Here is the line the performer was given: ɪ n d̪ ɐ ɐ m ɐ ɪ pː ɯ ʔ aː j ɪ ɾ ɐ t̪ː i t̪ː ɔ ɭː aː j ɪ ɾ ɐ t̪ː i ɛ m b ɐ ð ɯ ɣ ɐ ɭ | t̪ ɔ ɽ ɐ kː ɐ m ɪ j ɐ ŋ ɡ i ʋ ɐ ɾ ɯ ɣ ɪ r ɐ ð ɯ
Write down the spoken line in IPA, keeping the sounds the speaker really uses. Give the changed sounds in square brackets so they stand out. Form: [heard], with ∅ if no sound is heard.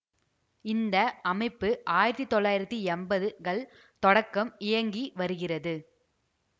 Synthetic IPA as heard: ɪ n d̪ ɐ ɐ m ɐ ɪ pː ɯ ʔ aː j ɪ ɾ ɐ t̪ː i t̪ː ɔ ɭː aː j ɪ ɾ ɐ t̪ː i ɛ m b ɐ ð ɯ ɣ ɐ ɭ | t̪ ɔ ɽ ɐ kː ɐ m ɪ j ɐ ŋ ɡ i ʋ ɐ ɾ ɯ ɣ ɪ r ɐ ð ɯ